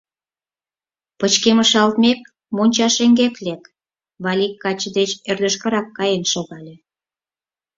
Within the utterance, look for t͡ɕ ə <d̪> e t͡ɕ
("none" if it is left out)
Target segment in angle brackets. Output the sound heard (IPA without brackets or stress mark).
d̪